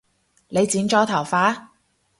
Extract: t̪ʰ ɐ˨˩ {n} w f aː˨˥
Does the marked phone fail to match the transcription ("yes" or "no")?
yes